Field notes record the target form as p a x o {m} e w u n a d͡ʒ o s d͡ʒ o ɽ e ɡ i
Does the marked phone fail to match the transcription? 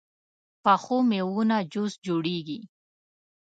no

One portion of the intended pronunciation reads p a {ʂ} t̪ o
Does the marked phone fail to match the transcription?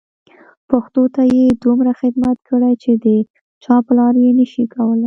yes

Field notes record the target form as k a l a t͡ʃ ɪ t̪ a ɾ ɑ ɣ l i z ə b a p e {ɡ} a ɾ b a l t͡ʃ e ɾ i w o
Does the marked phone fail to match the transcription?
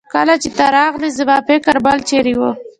yes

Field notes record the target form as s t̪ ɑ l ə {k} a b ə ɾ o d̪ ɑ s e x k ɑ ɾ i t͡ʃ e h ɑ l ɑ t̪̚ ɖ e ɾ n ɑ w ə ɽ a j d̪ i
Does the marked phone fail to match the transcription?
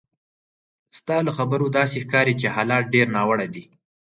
yes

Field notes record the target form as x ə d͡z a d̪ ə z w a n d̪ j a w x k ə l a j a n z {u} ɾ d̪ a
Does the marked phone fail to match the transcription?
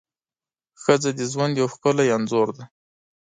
yes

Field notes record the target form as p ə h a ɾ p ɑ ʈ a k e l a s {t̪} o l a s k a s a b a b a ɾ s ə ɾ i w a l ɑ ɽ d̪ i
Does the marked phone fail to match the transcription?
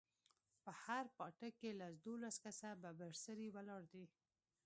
yes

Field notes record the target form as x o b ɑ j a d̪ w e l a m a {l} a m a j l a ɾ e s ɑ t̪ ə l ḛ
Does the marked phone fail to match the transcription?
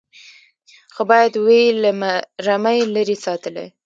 yes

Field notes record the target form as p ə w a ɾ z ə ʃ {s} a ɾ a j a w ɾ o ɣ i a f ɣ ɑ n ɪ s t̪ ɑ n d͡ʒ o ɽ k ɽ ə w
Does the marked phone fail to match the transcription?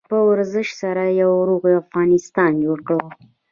no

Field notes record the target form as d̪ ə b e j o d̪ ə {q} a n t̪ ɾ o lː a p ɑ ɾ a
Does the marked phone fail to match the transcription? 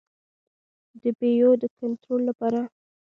yes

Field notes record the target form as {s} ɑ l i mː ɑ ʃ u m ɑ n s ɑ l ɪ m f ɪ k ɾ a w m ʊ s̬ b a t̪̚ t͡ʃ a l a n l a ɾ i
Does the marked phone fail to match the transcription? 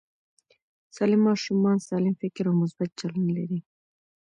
no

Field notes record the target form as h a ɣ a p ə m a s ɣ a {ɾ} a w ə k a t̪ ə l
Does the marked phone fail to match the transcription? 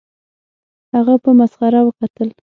no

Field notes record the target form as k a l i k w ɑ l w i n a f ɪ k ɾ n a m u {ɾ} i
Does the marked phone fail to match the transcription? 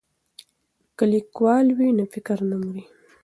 no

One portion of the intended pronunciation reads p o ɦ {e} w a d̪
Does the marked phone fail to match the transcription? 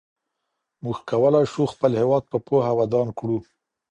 yes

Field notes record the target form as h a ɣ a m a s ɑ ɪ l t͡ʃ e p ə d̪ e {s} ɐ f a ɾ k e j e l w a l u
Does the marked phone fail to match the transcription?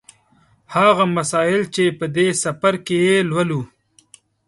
no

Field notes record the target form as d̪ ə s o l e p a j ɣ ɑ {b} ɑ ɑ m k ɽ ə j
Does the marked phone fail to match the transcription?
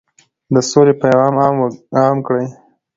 yes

